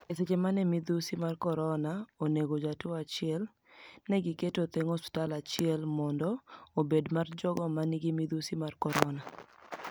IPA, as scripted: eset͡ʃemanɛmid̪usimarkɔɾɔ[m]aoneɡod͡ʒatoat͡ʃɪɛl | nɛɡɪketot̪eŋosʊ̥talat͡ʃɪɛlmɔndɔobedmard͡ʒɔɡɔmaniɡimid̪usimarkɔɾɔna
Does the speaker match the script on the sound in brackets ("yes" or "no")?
no